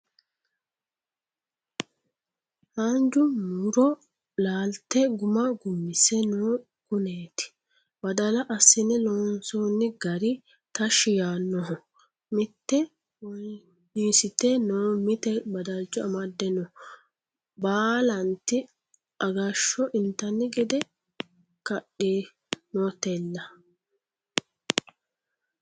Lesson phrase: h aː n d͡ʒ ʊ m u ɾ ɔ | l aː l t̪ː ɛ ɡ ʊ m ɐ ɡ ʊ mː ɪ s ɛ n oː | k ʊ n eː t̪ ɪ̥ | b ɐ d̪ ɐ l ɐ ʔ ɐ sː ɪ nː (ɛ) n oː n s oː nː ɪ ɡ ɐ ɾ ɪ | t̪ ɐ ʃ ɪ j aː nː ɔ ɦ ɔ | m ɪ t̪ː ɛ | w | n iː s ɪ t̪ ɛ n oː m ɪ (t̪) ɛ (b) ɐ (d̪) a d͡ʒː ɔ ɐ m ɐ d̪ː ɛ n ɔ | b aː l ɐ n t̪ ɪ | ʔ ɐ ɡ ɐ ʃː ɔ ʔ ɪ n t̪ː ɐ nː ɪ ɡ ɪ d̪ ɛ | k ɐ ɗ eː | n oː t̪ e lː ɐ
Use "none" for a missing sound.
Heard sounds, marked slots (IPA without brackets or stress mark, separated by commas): ɛ, t̪, b, d̪